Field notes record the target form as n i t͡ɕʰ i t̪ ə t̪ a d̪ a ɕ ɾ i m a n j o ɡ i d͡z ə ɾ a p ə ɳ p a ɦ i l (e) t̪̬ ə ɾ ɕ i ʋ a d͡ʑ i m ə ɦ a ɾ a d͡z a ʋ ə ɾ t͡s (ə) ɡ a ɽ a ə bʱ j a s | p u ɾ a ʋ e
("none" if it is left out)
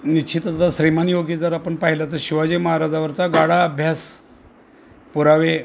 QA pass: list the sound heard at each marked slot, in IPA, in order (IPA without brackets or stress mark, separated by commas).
a, a